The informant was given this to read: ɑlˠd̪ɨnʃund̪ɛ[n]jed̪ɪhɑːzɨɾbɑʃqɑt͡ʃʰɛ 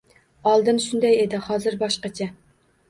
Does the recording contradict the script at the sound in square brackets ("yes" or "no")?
yes